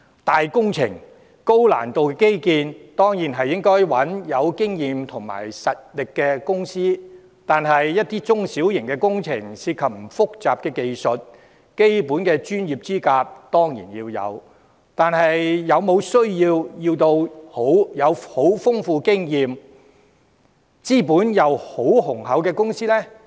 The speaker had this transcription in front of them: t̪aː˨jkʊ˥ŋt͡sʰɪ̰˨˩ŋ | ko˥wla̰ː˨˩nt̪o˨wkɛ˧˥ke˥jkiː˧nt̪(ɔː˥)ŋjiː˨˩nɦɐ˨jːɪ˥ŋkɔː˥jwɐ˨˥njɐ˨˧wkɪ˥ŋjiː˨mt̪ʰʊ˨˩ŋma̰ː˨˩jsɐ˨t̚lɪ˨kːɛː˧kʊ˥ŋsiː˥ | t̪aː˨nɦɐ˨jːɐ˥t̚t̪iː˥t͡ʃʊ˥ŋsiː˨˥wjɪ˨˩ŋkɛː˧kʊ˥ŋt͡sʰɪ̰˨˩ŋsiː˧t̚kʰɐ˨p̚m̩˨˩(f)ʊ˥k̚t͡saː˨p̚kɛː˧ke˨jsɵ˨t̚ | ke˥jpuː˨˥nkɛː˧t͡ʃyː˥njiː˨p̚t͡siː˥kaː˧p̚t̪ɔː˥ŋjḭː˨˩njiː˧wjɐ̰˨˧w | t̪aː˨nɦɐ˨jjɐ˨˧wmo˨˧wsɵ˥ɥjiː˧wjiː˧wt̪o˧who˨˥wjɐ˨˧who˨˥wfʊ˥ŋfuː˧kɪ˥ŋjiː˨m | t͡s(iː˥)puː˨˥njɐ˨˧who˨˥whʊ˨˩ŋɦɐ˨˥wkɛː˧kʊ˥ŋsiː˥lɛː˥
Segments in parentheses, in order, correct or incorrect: correct, correct, correct

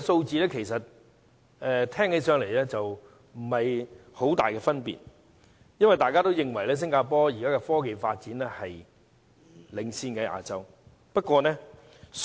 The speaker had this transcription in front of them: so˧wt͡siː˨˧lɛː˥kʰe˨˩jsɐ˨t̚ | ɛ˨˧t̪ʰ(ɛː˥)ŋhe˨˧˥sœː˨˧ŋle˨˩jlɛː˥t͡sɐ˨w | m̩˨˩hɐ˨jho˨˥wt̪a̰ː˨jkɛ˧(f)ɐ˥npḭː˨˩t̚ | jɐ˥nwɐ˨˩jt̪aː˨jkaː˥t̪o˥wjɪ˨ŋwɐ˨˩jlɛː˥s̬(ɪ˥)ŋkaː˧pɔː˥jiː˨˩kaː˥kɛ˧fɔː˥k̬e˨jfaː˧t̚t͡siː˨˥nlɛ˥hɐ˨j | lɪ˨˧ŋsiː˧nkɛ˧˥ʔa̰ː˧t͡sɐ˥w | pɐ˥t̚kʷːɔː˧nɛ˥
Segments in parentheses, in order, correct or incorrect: correct, correct, correct

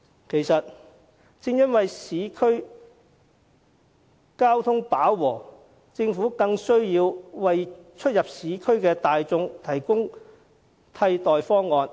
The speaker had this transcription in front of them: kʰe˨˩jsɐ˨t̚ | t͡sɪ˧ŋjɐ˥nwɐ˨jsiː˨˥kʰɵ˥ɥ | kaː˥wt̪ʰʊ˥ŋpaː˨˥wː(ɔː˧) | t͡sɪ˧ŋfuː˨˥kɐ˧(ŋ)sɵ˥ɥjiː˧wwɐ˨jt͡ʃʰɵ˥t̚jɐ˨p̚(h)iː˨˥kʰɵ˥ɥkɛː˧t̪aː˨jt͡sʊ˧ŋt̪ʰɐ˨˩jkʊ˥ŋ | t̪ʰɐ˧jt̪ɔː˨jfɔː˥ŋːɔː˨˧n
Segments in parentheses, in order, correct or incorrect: incorrect: ɔː˨˩, correct, incorrect: s

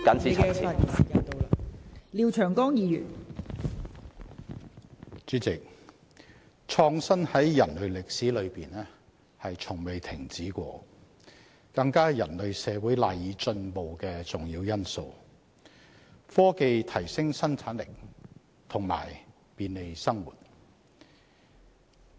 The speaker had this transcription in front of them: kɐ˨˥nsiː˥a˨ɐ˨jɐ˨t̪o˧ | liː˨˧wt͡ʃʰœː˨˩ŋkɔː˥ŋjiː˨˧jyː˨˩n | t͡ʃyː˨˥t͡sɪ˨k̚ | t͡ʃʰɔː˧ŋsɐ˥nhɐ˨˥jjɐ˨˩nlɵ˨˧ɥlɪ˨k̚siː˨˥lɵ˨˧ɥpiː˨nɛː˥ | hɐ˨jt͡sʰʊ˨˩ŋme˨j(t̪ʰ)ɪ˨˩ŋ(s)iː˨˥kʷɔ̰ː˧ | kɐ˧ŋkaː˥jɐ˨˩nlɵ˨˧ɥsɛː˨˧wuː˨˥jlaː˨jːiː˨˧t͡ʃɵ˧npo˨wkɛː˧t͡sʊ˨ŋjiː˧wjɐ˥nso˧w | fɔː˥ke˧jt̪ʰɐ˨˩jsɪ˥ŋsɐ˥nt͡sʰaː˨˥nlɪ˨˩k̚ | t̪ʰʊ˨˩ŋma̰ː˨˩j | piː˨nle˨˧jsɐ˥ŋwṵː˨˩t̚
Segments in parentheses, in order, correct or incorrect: correct, incorrect: t͡s

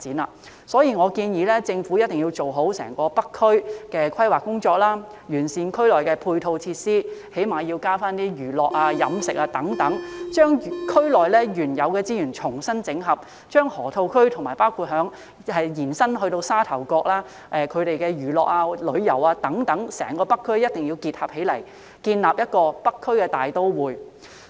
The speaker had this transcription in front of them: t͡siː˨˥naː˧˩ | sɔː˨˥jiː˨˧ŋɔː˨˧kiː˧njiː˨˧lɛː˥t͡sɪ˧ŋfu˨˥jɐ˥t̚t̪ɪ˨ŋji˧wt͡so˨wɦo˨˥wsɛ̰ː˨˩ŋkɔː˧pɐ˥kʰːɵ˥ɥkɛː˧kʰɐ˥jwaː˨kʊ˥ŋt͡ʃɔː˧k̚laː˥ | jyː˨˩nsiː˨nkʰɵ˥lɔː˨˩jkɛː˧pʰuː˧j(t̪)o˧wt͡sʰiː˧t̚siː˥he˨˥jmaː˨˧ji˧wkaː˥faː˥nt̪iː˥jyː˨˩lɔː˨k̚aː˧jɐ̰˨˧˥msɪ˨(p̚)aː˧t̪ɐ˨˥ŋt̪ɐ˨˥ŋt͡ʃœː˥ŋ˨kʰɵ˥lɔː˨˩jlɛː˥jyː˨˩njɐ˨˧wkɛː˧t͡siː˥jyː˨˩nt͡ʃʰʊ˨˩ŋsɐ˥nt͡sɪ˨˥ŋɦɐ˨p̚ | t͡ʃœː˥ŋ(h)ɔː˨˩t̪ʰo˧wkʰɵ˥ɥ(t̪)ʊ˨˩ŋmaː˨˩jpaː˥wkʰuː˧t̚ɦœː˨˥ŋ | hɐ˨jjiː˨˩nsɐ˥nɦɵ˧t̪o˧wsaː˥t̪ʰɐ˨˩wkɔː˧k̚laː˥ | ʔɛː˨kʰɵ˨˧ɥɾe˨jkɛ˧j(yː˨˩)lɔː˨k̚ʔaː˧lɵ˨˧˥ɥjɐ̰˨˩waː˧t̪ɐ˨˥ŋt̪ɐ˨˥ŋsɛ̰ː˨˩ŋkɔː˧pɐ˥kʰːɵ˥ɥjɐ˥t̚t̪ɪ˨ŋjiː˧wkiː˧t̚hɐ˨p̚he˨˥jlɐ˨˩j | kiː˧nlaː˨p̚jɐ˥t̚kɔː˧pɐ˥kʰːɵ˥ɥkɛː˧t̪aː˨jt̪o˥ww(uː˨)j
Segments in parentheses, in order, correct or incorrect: incorrect: t̪ʰ, incorrect: k̚, correct, incorrect: t̪ʰ, correct, correct

